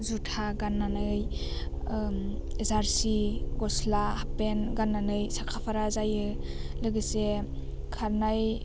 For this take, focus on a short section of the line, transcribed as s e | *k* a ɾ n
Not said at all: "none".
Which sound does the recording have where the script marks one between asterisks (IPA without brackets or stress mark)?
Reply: kʰ